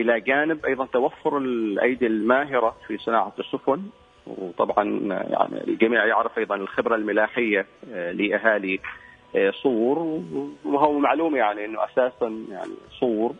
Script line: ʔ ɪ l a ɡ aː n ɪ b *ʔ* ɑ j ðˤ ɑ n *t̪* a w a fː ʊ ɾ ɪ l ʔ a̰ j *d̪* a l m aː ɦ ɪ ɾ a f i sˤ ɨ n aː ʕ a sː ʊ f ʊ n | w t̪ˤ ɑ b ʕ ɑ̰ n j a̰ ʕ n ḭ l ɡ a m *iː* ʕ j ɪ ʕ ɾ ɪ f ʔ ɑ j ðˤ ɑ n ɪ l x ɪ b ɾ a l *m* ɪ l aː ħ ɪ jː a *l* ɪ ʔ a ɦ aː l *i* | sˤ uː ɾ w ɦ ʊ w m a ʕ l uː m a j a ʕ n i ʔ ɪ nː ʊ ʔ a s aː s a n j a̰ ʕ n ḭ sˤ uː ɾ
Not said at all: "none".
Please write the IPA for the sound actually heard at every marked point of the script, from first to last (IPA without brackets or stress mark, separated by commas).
ʔ, t̪, d̪, iː, m, l, i